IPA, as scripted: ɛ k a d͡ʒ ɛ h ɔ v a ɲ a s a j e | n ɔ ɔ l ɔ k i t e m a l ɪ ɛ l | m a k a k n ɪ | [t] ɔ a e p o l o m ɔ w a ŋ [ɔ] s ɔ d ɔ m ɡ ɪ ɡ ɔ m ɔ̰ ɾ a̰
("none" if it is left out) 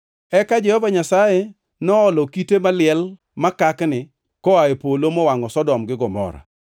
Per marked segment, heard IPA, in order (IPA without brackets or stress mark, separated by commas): k, ɔ